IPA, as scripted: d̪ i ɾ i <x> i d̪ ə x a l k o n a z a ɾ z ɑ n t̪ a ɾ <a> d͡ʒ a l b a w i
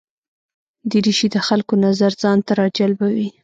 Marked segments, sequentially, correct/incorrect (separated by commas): incorrect, incorrect